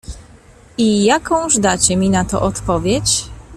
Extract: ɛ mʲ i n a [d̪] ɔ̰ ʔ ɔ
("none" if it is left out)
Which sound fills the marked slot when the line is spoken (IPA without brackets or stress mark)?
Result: t̪